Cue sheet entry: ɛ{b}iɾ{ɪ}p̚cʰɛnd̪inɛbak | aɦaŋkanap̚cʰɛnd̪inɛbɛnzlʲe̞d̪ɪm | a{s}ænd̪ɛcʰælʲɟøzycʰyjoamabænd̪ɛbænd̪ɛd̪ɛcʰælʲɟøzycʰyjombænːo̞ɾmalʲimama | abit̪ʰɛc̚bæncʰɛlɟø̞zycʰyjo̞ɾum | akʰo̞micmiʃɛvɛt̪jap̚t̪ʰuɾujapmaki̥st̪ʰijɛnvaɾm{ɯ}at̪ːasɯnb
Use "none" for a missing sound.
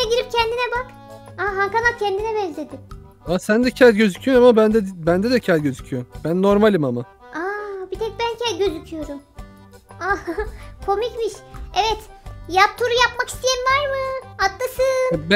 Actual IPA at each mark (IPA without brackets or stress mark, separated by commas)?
ɟ, i, s, ɯ